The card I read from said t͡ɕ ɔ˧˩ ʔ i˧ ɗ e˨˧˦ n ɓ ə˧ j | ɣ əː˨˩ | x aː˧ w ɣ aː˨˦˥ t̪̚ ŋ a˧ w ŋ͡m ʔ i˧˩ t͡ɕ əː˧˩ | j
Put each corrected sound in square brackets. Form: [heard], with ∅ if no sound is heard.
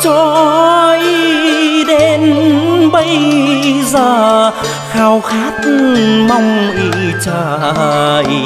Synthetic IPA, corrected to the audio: t͡ɕ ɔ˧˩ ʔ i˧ ɗ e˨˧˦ n ɓ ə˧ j | [z] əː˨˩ | x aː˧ w [x] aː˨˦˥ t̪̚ [m] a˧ w ŋ͡m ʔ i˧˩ t͡ɕ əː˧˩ | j